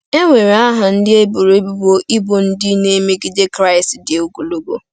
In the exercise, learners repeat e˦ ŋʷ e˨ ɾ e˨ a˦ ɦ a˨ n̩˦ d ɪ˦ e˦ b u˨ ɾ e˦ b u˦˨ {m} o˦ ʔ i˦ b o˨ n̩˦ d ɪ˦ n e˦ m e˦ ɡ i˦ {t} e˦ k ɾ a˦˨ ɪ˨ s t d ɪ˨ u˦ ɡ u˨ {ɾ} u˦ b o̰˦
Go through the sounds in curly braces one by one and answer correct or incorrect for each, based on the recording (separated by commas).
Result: incorrect, incorrect, incorrect